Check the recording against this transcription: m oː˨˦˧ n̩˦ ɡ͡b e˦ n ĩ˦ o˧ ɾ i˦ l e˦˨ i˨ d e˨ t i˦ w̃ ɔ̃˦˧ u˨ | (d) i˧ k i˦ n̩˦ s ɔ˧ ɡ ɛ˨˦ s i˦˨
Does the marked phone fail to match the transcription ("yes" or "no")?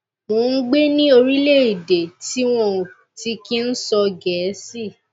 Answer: yes